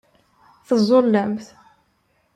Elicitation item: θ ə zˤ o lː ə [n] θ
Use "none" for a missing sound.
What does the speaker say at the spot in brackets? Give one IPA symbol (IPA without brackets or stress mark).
m